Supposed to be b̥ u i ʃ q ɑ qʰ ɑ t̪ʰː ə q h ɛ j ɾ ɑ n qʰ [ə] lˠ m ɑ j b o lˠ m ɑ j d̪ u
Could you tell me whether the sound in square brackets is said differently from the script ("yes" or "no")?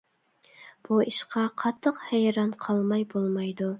yes